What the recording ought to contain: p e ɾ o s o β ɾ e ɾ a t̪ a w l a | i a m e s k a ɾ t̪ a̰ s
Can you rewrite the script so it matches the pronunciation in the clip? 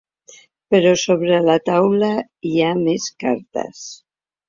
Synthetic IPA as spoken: p e ɾ o s o β ɾ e l a t̪ a w l a | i a m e s k a ɾ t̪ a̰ s

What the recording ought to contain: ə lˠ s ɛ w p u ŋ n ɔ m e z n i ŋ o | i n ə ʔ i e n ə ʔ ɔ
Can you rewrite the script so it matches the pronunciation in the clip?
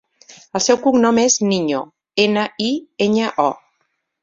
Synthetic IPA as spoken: ə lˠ s ɛ w k u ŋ n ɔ m e z n i ɲ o | e n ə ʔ i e ɲ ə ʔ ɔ

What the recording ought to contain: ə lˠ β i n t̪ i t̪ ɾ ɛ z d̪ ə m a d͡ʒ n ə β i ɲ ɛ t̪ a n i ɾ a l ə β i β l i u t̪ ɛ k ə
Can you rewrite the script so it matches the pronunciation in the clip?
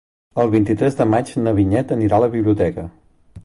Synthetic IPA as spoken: ə lˠ β i n t̪ i t̪ ɾ ɛ z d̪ ə m a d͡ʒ n ə β i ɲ ɛ t̪ ə n i ɾ a l ə β i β l i u t̪ ɛ k ə

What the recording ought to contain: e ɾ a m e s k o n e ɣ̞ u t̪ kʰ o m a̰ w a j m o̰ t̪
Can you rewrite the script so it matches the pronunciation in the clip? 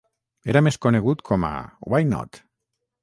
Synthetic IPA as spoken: e ɾ a m e s k o n e ɣ̞ u t̪ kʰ o m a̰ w a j n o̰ t̪

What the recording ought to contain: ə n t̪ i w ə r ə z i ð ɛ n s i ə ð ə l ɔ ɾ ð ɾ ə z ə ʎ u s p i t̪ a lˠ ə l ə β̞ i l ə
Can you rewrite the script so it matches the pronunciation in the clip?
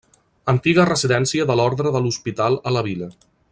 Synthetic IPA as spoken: ə n t̪ i ɣ ə r ə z i ð ɛ n s i ə ð ə l ɔ ɾ ð ɾ ə ð ə l u s p i t̪ a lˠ ə l ə β̞ i l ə

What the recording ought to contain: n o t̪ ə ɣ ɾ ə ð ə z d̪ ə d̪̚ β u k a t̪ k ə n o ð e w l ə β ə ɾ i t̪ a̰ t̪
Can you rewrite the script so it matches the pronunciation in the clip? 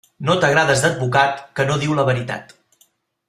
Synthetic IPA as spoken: n o t̪ ə ɣ ɾ a ð ə z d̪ ə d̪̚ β u k a t̪ k ə n o ð i w l ə β ə ɾ i t̪ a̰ t̪

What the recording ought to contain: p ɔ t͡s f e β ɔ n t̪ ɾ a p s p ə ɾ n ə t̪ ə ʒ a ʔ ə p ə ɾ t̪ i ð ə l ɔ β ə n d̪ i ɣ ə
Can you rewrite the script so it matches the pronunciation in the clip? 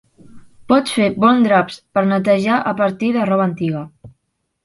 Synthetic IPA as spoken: p ɔ t͡s f e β ɔ n d̪ ɾ a p s p ə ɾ n ə t̪ ə ʒ a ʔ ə p ə ɾ t̪ i ð ə r ɔ β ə n t̪ i ɣ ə

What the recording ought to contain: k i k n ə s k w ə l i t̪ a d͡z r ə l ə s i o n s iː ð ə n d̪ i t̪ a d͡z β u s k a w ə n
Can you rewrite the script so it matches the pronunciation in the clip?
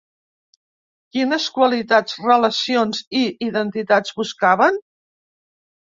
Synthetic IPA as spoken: k i n ə s k w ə l i t̪ a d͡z r ə l ə s i o n z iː ð ə n t̪ i t̪ a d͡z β u s k a β ə n

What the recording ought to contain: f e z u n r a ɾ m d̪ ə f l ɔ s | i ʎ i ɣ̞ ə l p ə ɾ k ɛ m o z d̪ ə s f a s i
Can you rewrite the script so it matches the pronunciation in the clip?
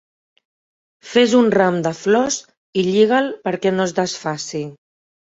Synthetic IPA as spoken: f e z u n r a m d̪ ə f l ɔ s | i ʎ i ɣ̞ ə l p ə ɾ k ɛ n o z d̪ ə s f a s i

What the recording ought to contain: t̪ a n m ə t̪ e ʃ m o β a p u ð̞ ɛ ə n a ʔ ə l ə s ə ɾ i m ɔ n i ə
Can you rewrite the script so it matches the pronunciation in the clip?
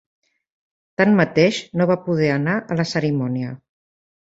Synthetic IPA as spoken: t̪ a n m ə t̪ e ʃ n o β a p u ð̞ ɛ ə n a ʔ ə l ə s ə ɾ i m ɔ n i ə

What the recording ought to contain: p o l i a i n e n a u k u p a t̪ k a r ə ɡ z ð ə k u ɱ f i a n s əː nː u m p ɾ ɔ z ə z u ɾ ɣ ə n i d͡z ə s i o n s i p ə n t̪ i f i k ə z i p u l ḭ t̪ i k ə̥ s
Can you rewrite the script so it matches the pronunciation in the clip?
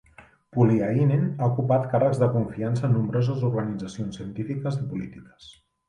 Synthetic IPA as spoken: p u l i a i n e n a u k u p a t̪ k a r ə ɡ z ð ə k u ɱ f i a n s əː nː u m b ɾ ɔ z ə z u ɾ ɣ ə n i d͡z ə s i o n s i ə n t̪ i f i k ə z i p u l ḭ t̪ i k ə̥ s

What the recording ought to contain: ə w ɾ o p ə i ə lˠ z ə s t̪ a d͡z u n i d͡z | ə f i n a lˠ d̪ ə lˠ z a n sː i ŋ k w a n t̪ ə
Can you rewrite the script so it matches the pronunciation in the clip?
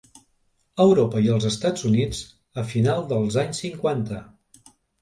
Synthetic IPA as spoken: ə w ɾ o p ə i ə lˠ z ə s t̪ a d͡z u n i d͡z | ə f i n a lˠ d̪ ə lˠ z a ɲ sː i ŋ k w a n t̪ ə

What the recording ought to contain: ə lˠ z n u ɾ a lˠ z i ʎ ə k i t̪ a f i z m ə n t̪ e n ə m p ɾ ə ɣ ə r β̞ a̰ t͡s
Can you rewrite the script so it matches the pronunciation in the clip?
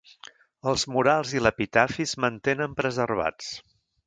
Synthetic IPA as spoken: ə lˠ z m u ɾ a lˠ z i l ə p i t̪ a f i z m ə n t̪ e n ə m p ɾ ə z ə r β̞ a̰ t͡s

